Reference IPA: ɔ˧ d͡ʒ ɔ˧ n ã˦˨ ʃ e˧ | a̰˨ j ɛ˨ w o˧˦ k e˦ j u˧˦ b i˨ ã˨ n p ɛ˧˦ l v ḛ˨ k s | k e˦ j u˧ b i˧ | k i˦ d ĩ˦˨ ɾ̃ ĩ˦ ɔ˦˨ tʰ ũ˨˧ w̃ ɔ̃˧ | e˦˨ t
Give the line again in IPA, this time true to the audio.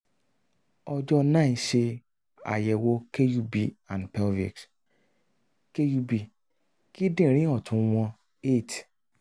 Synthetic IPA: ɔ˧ d͡ʒ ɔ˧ n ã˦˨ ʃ e˧ | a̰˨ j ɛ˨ w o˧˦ k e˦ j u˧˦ b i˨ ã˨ n p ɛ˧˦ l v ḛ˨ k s | k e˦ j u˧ b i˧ | k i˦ d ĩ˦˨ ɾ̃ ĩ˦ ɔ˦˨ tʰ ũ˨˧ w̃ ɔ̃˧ | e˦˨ t